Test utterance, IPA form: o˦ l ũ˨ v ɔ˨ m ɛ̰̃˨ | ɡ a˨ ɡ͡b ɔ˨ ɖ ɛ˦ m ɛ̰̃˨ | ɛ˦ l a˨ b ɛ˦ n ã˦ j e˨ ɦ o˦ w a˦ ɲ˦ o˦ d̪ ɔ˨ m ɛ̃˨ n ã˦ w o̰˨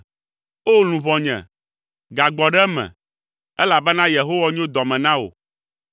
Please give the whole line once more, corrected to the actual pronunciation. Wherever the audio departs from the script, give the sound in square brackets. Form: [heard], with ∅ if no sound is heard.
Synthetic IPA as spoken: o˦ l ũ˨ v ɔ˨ [ɲ] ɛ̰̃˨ | ɡ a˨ ɡ͡b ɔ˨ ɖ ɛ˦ m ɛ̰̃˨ | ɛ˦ l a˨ b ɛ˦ n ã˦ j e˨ ɦ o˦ w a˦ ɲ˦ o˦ d̪ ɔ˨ m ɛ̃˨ n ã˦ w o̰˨